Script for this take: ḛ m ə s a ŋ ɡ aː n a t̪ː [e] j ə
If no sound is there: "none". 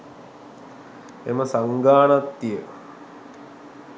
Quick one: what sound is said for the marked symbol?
i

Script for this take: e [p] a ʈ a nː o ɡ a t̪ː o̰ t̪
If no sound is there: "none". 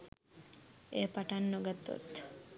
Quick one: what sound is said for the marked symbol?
p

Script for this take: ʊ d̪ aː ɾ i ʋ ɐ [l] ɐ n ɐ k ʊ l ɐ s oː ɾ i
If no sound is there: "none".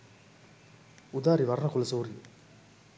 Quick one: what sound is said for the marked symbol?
ɾ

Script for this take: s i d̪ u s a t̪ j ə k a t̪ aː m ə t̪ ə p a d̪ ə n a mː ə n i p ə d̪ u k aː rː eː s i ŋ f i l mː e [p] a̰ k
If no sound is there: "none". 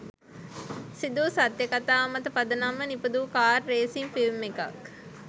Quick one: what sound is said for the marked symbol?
k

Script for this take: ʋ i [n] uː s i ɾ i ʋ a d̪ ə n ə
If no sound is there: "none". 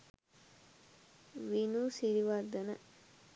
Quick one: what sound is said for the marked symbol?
n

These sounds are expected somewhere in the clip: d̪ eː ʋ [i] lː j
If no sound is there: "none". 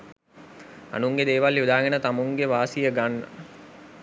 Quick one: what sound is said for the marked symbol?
a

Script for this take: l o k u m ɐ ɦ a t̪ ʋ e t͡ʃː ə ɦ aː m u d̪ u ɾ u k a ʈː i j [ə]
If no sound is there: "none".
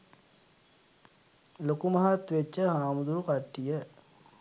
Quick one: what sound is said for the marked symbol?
ə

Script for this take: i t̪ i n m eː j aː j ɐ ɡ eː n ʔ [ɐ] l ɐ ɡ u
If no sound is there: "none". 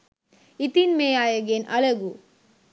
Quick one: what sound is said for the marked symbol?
ɐ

